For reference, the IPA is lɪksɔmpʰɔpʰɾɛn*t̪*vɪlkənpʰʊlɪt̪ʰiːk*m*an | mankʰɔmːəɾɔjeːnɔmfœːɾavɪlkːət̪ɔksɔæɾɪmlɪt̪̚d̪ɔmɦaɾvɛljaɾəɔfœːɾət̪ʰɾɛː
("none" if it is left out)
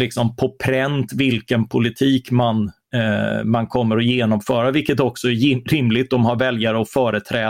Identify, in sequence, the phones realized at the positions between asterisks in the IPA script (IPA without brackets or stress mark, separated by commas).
t̪, m